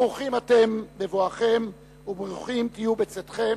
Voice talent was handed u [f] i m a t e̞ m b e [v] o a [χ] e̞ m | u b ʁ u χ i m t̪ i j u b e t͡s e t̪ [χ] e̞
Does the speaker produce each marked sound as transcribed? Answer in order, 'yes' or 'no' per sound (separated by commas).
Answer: no, yes, yes, yes